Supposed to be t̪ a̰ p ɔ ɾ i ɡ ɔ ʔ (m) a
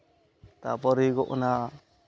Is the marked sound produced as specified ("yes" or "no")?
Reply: no